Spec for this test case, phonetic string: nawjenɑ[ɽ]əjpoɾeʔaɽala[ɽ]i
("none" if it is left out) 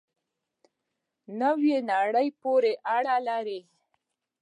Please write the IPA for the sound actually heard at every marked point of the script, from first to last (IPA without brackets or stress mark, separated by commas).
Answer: ɽ, ɾ